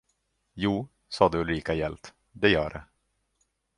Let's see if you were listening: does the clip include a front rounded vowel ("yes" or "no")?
yes